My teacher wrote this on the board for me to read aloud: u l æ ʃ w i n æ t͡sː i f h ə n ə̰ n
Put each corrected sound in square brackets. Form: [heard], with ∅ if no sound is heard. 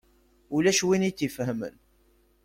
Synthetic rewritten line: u l æ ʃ w i n [i] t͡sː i f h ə [m] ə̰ n